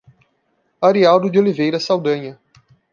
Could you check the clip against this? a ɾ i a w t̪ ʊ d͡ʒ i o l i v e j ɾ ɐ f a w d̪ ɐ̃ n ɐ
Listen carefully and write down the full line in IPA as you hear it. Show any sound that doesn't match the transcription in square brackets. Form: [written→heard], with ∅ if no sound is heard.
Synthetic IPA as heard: a ɾ i a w [t̪→d̪] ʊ d͡ʒ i o l i v e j ɾ ɐ [f→s] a w d̪ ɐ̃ [n→ɲ] ɐ